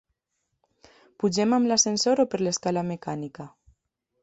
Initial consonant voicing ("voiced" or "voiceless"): voiceless